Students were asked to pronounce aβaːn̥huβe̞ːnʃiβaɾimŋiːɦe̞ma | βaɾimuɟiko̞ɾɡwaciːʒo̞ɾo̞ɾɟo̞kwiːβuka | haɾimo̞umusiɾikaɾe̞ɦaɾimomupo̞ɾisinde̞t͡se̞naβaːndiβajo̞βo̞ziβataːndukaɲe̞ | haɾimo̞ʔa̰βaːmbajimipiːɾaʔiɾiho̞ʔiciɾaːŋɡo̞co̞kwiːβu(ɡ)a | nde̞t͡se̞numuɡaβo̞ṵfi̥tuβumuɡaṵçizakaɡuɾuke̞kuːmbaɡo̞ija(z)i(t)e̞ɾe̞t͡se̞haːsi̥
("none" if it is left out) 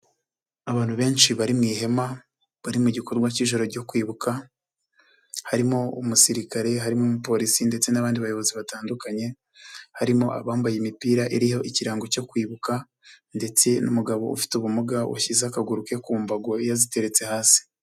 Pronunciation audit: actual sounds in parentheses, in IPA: k, z, t

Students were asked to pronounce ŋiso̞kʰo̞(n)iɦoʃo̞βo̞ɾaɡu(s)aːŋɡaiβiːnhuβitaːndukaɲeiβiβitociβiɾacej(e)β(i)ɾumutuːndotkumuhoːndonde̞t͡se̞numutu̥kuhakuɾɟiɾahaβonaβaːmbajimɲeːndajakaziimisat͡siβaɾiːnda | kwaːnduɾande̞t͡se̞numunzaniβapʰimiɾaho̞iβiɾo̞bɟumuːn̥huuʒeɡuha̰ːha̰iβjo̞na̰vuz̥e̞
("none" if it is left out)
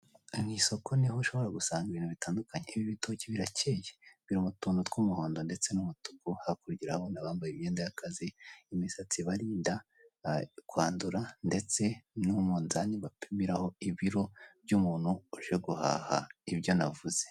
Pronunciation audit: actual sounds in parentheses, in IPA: n, s, e, i

